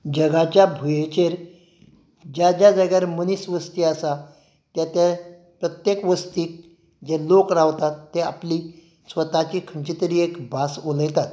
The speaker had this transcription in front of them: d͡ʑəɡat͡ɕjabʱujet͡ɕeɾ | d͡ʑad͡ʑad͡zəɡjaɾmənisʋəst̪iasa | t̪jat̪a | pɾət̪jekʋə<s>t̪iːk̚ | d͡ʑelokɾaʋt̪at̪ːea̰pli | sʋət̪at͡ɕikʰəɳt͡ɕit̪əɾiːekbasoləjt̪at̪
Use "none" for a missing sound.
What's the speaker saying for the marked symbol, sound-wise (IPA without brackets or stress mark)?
s